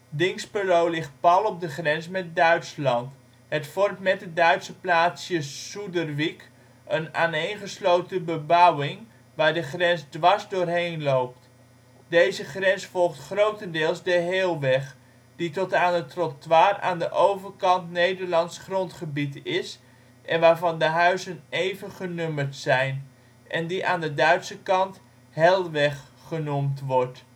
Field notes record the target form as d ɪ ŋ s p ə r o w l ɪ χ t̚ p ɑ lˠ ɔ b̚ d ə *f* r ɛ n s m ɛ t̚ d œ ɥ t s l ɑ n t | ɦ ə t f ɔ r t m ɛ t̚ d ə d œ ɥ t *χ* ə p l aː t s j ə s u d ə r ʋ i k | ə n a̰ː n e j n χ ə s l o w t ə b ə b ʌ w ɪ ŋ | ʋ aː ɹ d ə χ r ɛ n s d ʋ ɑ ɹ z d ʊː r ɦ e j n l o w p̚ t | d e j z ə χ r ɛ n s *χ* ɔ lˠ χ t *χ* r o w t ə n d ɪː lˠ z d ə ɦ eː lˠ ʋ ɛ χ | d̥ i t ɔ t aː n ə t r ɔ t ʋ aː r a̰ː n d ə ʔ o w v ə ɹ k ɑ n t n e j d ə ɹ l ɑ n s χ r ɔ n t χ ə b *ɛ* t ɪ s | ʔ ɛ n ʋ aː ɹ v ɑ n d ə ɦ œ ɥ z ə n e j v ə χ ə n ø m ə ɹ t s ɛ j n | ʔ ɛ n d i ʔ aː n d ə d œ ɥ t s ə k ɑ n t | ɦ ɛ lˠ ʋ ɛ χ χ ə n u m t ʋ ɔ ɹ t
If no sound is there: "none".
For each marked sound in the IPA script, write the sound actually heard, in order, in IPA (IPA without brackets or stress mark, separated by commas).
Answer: χ, s, f, χ, i